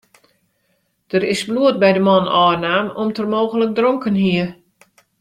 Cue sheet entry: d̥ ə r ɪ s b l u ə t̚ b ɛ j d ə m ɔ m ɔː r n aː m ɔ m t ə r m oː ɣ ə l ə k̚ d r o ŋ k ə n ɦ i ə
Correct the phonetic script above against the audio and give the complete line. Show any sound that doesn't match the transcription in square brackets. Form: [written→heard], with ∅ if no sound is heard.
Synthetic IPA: d̥ ə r ɪ s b l u ə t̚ b ɛ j d ə m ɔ [m→n] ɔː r n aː m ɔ m t ə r m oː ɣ ə l ə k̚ d r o ŋ k ə n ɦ i ə